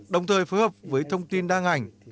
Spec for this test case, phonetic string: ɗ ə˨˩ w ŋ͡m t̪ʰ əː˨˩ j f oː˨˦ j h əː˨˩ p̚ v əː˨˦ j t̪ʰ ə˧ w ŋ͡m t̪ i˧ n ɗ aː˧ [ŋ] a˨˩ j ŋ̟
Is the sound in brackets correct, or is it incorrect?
correct